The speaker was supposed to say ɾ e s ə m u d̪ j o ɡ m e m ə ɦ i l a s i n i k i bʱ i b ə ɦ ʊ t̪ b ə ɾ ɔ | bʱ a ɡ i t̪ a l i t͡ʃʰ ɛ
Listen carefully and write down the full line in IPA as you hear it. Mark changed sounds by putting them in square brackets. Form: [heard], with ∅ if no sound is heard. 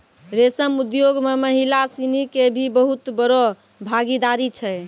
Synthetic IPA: ɾ e s ə m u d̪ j o ɡ m e m ə ɦ i l a s i n i k [e] bʱ i b ə ɦ [u] t̪ b ə ɾ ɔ | bʱ a ɡ i [d̪] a [ɾ] i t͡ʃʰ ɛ